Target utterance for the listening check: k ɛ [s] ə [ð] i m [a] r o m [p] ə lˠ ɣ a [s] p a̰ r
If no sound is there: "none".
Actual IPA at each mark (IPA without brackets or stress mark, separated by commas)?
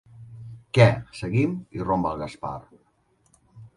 s, ɣ, i, b, s